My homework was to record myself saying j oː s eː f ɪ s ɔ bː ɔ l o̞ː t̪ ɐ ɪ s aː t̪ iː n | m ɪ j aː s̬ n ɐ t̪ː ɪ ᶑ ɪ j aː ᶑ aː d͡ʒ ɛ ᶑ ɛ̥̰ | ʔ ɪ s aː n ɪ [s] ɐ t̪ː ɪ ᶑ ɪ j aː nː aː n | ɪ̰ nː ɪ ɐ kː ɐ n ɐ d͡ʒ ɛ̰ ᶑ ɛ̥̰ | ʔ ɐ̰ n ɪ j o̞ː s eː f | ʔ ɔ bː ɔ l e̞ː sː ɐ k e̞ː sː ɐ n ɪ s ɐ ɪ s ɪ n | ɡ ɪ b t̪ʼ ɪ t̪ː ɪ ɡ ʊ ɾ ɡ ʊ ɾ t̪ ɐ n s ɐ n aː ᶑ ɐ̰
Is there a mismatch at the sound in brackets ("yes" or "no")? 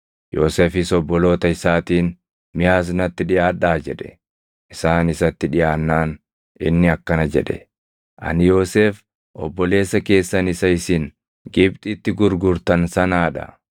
no